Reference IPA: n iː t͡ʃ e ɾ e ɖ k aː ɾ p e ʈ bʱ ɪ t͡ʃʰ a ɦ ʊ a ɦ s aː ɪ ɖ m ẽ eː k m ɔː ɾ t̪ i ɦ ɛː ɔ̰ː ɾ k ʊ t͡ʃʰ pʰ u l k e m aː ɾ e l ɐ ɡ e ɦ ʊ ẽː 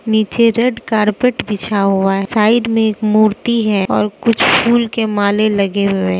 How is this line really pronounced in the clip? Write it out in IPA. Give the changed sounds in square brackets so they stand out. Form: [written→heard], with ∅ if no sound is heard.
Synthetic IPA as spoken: n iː t͡ʃ e ɾ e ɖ k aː ɾ p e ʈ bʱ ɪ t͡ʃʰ a ɦ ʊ a ɦ s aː ɪ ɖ m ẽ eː k m [ɔː→uː] ɾ t̪ i ɦ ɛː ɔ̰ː ɾ k ʊ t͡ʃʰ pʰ [u→uː] l k e m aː [ɾ→l] e l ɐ ɡ e ɦ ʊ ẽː